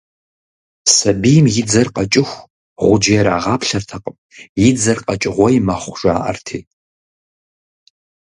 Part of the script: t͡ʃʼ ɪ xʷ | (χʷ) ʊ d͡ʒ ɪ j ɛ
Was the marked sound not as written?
yes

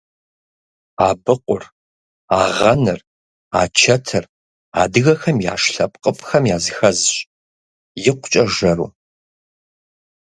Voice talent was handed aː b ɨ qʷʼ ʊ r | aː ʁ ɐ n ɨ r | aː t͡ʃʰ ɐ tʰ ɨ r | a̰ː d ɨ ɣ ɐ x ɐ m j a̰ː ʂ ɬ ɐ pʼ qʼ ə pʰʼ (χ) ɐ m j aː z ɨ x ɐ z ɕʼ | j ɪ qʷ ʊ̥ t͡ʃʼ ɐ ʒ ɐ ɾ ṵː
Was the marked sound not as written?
yes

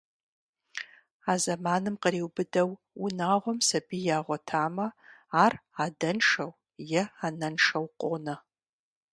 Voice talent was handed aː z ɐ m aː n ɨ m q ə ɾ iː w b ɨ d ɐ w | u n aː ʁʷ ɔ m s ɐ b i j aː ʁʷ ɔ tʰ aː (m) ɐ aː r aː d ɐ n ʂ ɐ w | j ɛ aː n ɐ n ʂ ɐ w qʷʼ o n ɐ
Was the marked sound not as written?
no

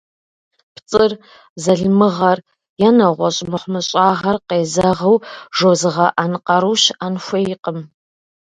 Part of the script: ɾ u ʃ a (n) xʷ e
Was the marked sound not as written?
no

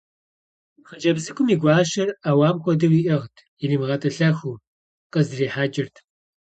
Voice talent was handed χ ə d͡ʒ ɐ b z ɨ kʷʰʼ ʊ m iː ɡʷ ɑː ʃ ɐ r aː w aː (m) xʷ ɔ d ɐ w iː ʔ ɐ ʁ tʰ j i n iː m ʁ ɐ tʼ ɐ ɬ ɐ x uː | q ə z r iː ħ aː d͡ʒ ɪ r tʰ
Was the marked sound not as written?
no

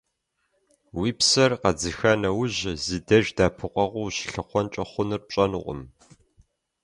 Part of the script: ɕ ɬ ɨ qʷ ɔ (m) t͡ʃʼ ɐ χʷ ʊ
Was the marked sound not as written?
yes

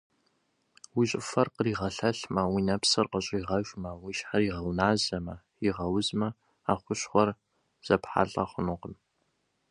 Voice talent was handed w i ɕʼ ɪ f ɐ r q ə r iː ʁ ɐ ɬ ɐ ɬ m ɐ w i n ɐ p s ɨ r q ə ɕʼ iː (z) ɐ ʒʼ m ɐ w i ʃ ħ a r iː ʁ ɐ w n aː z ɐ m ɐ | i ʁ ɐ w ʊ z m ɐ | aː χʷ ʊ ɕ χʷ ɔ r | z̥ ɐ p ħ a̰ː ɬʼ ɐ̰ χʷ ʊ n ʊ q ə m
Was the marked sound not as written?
yes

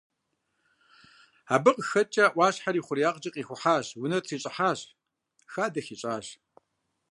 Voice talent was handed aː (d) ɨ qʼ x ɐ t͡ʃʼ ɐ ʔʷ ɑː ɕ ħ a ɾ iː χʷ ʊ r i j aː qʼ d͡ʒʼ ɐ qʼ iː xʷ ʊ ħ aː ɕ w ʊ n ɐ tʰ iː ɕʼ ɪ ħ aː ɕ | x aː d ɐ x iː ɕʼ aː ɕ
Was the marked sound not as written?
yes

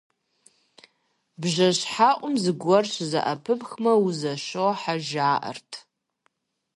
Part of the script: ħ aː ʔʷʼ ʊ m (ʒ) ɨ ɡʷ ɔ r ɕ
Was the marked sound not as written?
yes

